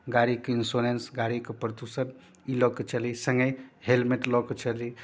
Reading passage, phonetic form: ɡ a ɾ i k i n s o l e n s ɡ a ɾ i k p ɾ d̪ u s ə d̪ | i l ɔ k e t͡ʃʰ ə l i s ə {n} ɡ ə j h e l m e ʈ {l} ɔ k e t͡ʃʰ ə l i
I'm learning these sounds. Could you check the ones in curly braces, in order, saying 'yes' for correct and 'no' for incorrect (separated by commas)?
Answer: no, yes